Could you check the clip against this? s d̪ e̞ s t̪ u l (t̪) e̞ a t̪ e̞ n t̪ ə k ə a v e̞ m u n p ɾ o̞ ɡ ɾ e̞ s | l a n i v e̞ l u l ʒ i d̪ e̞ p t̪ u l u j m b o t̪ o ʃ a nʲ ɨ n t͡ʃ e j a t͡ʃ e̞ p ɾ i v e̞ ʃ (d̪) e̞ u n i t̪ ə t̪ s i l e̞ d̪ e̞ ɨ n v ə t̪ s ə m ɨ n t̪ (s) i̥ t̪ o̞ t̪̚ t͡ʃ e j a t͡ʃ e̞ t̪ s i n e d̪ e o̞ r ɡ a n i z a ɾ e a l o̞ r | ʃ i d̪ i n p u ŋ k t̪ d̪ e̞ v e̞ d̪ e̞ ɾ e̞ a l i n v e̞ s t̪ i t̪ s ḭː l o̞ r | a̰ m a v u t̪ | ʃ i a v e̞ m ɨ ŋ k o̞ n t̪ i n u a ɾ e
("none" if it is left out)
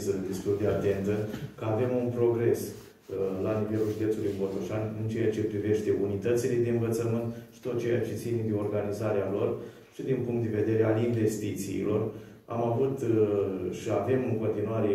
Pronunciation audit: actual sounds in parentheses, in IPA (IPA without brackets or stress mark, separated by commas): d̪, t̪, ʃ